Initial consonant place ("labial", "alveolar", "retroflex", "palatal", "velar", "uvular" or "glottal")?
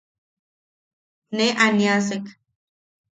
alveolar